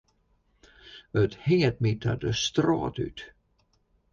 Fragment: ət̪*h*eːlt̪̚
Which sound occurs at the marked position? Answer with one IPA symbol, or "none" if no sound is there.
h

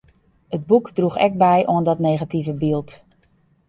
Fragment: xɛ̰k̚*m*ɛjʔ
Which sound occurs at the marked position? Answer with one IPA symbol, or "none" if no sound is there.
b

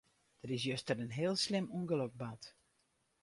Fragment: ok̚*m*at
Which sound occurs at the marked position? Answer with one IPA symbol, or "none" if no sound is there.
b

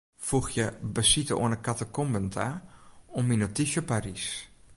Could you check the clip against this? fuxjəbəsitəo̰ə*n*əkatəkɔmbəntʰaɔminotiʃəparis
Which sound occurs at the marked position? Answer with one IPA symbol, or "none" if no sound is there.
n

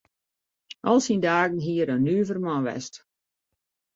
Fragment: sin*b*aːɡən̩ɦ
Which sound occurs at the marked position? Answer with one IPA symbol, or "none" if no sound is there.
d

